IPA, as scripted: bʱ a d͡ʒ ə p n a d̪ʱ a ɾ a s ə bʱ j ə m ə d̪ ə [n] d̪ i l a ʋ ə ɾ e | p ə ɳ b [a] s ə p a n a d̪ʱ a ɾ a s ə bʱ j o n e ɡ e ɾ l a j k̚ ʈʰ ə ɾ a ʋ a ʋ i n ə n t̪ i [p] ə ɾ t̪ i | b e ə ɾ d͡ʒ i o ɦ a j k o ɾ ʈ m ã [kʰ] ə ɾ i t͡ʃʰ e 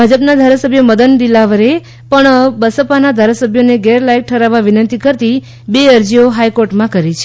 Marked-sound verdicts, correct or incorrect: correct, incorrect, incorrect, incorrect

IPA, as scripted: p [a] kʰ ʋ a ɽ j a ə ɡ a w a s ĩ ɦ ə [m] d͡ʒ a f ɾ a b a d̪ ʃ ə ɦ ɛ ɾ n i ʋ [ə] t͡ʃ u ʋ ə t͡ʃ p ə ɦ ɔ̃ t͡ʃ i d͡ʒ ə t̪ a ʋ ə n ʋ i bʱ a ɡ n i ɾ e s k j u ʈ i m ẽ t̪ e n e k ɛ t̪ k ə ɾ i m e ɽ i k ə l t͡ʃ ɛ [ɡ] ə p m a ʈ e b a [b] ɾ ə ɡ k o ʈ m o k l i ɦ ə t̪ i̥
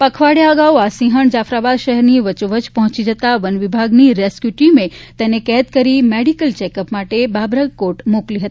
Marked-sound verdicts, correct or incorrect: incorrect, incorrect, correct, incorrect, correct

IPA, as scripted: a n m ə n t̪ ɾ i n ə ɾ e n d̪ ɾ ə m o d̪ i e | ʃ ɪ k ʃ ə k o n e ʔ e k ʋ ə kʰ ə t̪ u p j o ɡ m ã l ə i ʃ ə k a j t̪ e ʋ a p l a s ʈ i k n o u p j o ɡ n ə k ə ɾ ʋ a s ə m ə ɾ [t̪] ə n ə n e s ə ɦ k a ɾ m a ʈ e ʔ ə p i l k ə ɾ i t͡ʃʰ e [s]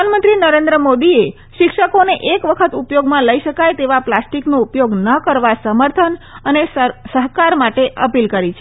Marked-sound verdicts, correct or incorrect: incorrect, incorrect

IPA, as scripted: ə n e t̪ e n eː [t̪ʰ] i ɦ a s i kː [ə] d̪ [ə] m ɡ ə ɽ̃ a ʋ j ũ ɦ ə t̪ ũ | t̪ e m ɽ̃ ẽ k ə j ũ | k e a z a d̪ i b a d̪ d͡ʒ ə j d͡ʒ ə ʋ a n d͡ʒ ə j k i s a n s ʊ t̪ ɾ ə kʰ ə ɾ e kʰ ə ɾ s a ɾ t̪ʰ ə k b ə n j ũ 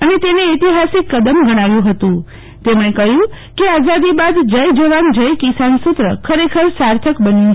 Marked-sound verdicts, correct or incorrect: incorrect, correct, correct

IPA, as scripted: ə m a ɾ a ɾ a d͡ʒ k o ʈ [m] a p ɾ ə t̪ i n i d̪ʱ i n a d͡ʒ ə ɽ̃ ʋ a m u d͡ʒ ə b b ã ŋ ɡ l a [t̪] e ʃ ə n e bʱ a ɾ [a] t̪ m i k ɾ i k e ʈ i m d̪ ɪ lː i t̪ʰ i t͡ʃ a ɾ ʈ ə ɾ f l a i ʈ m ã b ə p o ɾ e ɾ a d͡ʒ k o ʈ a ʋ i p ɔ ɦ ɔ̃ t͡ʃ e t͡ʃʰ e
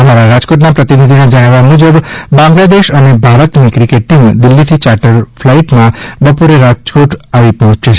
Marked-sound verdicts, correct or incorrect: incorrect, incorrect, incorrect

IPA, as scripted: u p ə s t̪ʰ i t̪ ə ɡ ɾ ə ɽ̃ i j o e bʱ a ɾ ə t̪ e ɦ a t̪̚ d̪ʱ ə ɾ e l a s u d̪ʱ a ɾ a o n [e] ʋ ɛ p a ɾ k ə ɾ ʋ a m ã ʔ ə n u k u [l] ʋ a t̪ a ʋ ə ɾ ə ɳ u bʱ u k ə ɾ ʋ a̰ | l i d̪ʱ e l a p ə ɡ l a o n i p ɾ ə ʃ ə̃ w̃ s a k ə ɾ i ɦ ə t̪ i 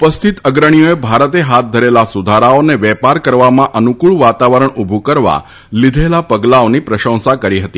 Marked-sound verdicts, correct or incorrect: correct, incorrect

